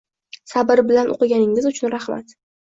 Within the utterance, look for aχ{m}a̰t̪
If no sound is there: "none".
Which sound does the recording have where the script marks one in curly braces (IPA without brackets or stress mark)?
m